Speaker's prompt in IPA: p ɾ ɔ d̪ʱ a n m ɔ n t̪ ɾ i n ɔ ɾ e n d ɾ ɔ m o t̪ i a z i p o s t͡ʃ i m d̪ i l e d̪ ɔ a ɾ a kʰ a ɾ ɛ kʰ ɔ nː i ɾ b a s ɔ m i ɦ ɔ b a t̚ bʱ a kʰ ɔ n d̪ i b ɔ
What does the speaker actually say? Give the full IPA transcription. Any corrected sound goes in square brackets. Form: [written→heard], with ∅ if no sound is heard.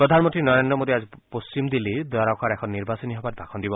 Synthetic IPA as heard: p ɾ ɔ d̪ʱ a n m ɔ n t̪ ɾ i n ɔ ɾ e n d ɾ ɔ m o [t̪→d̪] i a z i p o s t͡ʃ i m d̪ i l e d̪ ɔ a ɾ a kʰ a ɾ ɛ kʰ ɔ nː i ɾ b a s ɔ [m→n] i ɦ ɔ b a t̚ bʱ a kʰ ɔ n d̪ i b ɔ

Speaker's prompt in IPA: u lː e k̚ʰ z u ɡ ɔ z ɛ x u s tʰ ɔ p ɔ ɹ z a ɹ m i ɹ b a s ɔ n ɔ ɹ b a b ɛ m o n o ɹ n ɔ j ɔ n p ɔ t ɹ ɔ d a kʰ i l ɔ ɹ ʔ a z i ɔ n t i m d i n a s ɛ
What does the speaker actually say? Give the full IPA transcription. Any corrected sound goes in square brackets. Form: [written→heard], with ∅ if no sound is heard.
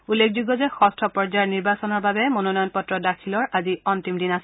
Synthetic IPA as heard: u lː e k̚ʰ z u ɡ ɔ z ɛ x [u→ɔ] s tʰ ɔ p ɔ ɹ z a ɹ [m→n] i ɹ b a s ɔ n ɔ ɹ b a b ɛ m o n o [ɹ→∅] n ɔ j ɔ n p ɔ t ɹ ɔ d a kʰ i l ɔ ɹ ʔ a z i ɔ n t i m d i n a s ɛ

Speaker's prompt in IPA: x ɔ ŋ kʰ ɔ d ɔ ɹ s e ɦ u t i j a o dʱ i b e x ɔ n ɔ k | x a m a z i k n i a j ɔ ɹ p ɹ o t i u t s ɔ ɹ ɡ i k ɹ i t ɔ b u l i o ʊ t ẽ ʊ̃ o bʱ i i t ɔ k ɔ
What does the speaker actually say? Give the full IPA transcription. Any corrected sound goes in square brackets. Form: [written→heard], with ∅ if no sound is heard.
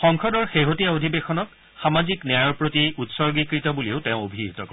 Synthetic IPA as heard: x ɔ ŋ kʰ ɔ d ɔ ɹ [s→x] e ɦ [u→o] t i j a o dʱ i b e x ɔ n ɔ k | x a m a z i k n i a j ɔ ɹ p ɹ o t i u t s ɔ ɹ ɡ i k ɹ i t ɔ b u l i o ʊ t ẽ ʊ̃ o bʱ i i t ɔ k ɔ

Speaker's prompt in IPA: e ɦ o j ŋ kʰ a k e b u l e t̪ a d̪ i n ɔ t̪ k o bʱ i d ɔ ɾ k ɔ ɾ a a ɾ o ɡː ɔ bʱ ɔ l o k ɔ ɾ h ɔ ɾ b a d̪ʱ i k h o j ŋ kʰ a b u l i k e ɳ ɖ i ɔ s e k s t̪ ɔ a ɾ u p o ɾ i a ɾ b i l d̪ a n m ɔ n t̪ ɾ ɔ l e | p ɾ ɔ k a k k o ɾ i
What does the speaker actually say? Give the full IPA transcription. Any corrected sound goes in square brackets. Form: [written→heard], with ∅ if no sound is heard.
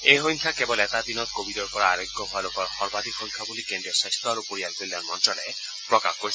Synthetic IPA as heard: e ɦ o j ŋ kʰ a k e b [u→ɔ] l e t̪ a d̪ i n ɔ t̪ k o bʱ i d ɔ ɾ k ɔ ɾ a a ɾ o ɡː ɔ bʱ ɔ l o k ɔ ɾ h ɔ ɾ b a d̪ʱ i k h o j ŋ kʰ a b u l i k e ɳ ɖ i ɔ s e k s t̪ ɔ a ɾ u p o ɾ i a [ɾ→l] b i l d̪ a n m ɔ n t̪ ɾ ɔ l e | p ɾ ɔ k a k k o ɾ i

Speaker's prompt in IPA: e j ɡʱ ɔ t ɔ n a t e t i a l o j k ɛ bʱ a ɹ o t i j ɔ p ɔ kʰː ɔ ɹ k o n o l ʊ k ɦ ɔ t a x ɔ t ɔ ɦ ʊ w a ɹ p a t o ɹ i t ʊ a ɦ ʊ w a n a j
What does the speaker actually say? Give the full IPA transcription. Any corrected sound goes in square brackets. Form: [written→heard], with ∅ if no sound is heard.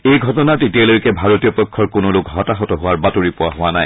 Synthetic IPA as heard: e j ɡʱ ɔ t ɔ n a t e t i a l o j k ɛ bʱ a ɹ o t i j ɔ p ɔ kʰː ɔ ɹ k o n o l ʊ k ɦ ɔ t a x ɔ t ɔ ɦ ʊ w a ɹ [p→b] a t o ɹ i [t→p] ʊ a ɦ ʊ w a n a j

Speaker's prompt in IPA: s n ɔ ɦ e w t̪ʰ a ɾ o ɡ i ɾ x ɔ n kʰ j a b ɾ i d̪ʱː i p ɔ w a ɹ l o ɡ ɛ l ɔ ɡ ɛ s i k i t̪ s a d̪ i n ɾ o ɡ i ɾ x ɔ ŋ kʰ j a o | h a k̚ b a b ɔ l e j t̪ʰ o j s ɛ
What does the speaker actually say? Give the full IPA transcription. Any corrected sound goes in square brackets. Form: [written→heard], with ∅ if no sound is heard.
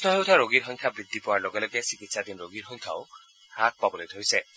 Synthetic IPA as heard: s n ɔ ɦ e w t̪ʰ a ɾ o ɡ i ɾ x ɔ [n→ŋ] kʰ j a b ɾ i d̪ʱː i p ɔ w a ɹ l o ɡ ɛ l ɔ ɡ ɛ s i k i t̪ s a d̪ i n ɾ o ɡ i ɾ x ɔ ŋ kʰ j a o | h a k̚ [b→p] a b ɔ l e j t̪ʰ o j s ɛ

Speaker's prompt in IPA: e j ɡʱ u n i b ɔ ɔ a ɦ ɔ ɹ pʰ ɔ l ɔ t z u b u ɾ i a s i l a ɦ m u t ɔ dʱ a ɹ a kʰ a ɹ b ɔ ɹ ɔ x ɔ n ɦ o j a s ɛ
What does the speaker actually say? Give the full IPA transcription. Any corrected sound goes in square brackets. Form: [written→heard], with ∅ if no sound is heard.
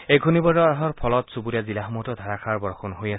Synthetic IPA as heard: e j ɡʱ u n i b ɔ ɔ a ɦ ɔ ɹ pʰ ɔ l ɔ t [z→s] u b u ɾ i a [s→z] i l a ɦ m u t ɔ dʱ a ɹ a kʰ a ɹ b ɔ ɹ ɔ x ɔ n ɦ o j a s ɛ

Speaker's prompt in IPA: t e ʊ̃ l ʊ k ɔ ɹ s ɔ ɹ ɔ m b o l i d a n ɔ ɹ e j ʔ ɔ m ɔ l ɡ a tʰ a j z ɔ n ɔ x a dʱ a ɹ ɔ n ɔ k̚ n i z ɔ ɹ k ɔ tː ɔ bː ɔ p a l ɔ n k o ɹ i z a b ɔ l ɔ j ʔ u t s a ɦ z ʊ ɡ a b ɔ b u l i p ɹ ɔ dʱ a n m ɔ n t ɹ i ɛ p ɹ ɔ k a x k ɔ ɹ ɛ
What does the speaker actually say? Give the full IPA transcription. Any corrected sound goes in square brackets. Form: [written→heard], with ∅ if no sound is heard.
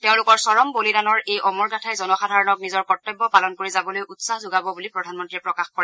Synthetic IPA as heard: t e ʊ̃ l ʊ k ɔ ɹ s ɔ ɹ ɔ m b o l i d a n ɔ ɹ e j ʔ ɔ m ɔ [l→ɹ] ɡ a tʰ a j z ɔ n ɔ x a dʱ a ɹ ɔ n ɔ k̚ n i z ɔ ɹ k ɔ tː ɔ bː ɔ p a l ɔ n k o ɹ i z a b ɔ l [ɔ→o] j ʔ u t s a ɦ z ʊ ɡ a b ɔ b u l i p ɹ ɔ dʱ a n m ɔ n t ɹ i ɛ p ɹ ɔ k a x k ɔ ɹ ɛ

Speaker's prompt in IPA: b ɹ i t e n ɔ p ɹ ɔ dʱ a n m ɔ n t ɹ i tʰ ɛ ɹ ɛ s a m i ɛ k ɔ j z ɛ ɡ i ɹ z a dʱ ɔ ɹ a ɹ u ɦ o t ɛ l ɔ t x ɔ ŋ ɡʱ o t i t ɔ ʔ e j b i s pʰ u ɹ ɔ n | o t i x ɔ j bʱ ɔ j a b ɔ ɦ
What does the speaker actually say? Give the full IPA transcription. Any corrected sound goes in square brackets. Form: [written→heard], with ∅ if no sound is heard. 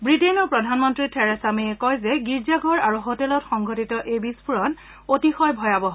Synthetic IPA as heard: b ɹ i t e n ɔ p ɹ ɔ dʱ a n m ɔ n t ɹ i tʰ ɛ ɹ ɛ s a m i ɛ k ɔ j z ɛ ɡ i ɹ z a [dʱ→ɡʱ] ɔ ɹ a ɹ u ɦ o t ɛ l ɔ t x ɔ ŋ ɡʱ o t i t ɔ ʔ e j b i s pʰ u ɹ ɔ n | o t i x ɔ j bʱ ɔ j a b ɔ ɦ

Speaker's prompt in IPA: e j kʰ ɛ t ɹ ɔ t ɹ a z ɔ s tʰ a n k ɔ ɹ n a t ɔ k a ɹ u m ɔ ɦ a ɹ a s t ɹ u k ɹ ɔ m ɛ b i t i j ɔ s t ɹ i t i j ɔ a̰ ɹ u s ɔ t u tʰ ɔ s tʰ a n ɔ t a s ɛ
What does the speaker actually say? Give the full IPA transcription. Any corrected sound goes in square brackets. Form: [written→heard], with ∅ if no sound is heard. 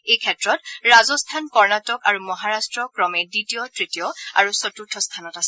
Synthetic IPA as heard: e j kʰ ɛ t ɹ ɔ t ɹ a z ɔ s tʰ a n k ɔ ɹ n a t ɔ k a ɹ u m ɔ ɦ a ɹ a s t ɹ [u→ɔ] k ɹ ɔ m ɛ [b→d] i t i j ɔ [s→∅] t ɹ i t i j ɔ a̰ ɹ u s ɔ t u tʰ ɔ s tʰ a n ɔ t a s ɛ

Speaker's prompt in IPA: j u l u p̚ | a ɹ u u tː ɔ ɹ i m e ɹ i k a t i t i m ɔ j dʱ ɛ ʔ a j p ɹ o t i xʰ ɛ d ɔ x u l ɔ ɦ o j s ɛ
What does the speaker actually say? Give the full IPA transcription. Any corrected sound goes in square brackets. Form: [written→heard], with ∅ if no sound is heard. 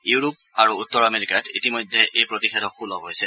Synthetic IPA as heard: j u [l→ɹ] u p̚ | a ɹ u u tː ɔ ɹ [i→a] m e ɹ i k a t i t i m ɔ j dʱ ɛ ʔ [a→e] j p ɹ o t i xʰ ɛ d ɔ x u l ɔ ɦ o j s ɛ

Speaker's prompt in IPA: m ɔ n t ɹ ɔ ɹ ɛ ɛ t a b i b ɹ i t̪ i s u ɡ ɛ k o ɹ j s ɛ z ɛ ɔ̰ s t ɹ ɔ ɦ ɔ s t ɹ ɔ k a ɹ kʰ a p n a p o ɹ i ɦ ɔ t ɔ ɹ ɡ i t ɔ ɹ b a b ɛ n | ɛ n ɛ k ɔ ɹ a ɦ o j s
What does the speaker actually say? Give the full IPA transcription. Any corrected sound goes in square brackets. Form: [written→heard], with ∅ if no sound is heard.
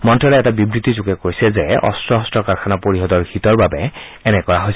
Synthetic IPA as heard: m ɔ n t ɹ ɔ [ɹ→l] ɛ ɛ t a b i b ɹ i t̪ i [s→z] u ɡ ɛ k o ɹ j s ɛ z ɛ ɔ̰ s t ɹ ɔ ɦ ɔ s t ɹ ɔ k a ɹ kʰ a [p→∅] n a p o ɹ i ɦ ɔ [t→d] ɔ ɹ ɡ i t ɔ ɹ b a b ɛ [n→∅] | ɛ n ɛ k ɔ ɹ a ɦ o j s

